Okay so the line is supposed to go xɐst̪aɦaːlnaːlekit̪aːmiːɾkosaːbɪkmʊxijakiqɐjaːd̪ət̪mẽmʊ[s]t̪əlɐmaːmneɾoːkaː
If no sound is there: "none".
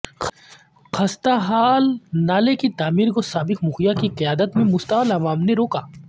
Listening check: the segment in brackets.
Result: s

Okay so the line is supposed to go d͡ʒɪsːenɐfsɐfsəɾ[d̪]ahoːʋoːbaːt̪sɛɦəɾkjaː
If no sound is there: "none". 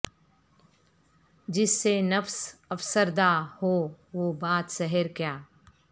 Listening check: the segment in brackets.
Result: d̪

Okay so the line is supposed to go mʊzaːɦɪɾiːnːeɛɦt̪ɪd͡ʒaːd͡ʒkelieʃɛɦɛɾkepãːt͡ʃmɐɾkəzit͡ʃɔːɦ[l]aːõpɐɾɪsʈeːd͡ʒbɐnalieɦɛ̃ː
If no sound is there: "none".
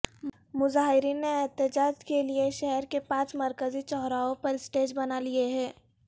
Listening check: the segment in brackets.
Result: ɾ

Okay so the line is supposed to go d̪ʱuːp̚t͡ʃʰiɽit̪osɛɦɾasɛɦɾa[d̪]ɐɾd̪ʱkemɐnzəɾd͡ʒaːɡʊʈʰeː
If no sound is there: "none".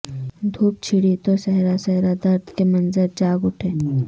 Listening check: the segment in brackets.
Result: d̪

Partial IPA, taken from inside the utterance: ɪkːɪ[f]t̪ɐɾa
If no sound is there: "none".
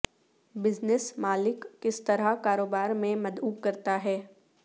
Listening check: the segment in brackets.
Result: s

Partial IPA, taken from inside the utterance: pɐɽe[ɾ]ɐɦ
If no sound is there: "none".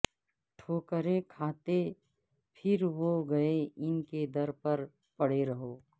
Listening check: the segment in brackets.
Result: ɾ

